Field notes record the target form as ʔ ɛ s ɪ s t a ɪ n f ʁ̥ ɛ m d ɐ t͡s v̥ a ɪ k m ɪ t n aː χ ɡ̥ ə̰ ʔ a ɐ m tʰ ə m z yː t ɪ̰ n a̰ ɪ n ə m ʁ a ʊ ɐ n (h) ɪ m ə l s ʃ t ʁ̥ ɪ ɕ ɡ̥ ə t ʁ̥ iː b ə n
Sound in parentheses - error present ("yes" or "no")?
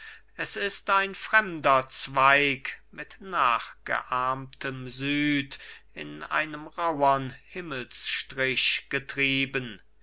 no